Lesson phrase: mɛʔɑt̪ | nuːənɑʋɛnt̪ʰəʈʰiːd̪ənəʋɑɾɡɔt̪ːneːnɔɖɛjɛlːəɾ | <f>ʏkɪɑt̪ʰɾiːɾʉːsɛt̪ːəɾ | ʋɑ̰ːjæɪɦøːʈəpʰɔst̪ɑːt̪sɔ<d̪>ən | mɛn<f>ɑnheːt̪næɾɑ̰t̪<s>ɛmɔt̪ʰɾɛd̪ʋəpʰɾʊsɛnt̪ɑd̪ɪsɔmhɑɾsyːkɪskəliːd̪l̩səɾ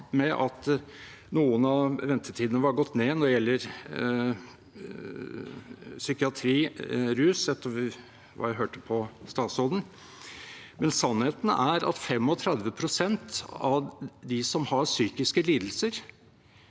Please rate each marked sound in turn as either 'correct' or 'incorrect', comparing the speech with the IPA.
incorrect, correct, incorrect, incorrect

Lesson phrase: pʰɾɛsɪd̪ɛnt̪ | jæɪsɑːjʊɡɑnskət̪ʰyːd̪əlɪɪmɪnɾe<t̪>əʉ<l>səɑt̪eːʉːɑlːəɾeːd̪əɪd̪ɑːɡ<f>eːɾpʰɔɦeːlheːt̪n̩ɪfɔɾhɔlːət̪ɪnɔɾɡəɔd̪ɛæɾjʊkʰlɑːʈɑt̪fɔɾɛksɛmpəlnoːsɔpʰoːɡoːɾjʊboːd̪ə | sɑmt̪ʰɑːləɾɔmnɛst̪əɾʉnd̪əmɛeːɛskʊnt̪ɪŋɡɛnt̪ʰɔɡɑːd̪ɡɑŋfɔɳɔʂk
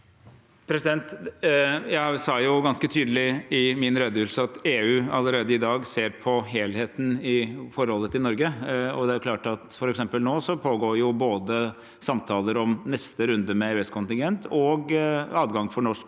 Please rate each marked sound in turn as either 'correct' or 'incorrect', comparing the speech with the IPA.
incorrect, correct, incorrect

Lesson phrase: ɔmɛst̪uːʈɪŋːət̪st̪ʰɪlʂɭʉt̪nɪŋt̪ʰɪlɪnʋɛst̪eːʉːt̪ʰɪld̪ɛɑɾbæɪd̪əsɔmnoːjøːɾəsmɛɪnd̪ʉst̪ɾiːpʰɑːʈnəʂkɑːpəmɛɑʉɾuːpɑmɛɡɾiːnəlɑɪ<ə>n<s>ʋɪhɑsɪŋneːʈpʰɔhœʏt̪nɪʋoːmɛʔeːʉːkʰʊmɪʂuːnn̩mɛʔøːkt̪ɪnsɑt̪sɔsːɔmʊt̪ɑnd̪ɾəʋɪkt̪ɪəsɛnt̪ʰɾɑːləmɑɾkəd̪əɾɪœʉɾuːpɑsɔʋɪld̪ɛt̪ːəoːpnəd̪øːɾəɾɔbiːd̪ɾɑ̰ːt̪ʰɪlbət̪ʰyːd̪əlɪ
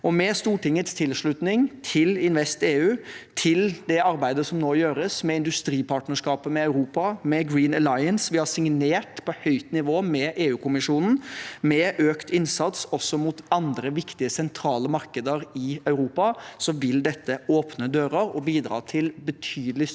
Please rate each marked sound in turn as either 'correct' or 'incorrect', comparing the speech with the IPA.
correct, correct

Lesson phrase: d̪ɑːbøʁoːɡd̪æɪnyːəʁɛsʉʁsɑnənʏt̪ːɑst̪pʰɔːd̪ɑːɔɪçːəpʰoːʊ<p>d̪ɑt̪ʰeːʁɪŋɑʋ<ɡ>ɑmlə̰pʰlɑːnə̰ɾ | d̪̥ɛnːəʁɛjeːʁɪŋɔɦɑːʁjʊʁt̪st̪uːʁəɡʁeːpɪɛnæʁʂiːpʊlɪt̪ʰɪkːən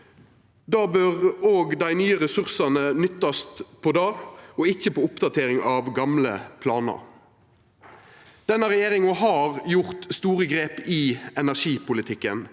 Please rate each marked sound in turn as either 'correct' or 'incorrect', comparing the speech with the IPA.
correct, correct

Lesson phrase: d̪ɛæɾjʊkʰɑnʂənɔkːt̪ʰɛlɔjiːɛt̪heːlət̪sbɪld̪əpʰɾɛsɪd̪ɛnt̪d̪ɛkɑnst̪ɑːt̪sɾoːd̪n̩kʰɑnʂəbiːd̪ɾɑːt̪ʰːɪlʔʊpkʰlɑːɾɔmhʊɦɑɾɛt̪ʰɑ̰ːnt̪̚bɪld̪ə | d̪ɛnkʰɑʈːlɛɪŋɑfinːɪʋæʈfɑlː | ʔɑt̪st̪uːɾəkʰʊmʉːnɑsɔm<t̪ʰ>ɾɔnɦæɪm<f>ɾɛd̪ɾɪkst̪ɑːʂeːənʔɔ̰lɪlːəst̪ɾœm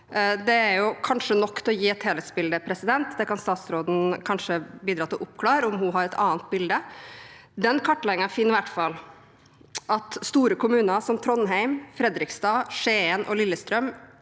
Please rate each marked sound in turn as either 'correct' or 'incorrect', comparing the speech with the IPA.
correct, correct

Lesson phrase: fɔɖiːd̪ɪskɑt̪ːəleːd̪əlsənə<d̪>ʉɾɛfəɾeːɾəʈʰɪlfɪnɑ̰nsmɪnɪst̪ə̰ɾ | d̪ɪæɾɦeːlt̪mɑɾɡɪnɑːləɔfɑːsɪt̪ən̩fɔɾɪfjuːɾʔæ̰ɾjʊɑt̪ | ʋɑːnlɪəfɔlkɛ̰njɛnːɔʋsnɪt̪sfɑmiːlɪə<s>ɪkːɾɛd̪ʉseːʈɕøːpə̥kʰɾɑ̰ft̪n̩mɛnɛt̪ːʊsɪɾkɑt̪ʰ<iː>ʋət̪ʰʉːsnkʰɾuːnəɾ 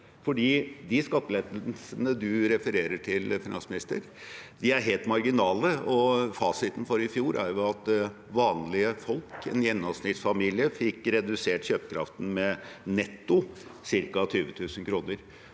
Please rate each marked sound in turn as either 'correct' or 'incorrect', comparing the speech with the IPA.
correct, incorrect, incorrect

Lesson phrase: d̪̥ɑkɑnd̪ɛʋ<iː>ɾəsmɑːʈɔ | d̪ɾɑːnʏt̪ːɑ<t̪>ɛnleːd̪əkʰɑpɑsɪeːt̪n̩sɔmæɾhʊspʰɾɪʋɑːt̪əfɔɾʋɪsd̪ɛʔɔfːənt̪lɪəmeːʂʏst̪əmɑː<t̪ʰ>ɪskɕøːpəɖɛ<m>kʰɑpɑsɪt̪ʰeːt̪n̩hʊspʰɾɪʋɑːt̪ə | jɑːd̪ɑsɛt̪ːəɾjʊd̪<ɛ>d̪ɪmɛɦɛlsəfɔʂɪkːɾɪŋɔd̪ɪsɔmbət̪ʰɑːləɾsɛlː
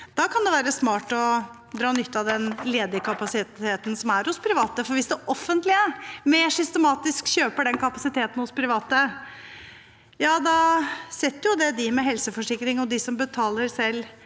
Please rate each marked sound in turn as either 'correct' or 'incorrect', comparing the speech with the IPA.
incorrect, incorrect, incorrect, incorrect, correct

